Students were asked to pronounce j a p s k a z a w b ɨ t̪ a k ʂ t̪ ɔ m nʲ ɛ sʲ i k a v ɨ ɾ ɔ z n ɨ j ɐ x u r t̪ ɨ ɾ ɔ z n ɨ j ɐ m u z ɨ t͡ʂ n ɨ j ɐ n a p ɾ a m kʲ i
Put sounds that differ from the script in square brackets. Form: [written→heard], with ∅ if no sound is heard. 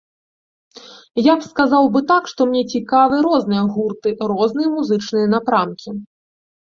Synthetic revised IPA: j a p s k a z a w b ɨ t̪ a k ʂ t̪ ɔ m nʲ ɛ [sʲ→t͡sʲ] i k a v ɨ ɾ ɔ z n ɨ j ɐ [x→ɣ] u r t̪ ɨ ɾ ɔ z n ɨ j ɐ m u z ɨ t͡ʂ n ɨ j ɐ n a p ɾ a m kʲ i